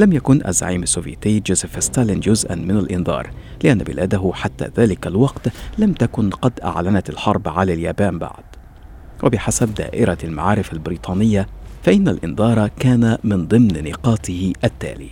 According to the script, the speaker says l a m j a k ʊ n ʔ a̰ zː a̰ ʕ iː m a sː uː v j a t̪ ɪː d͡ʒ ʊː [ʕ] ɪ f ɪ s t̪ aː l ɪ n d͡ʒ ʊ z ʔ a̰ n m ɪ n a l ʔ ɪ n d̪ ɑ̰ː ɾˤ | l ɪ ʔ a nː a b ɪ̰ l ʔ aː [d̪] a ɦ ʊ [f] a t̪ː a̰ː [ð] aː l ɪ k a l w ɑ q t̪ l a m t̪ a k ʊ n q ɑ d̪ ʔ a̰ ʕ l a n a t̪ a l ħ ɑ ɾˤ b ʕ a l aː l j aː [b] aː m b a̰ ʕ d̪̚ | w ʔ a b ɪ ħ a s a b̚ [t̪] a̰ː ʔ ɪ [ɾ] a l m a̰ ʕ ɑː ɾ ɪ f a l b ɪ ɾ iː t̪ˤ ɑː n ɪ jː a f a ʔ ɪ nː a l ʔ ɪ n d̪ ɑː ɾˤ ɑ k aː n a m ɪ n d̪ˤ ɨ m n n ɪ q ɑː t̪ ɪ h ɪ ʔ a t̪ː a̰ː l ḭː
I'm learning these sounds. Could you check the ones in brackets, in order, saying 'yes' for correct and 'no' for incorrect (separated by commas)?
no, yes, no, yes, yes, no, yes